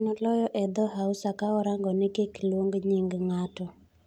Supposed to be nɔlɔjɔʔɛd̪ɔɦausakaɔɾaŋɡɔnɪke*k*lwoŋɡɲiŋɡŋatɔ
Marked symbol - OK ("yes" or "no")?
yes